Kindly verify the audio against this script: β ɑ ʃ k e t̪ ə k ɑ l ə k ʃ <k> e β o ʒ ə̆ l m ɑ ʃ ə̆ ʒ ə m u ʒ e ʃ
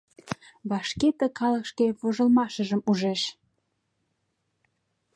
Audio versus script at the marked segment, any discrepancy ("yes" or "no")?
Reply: no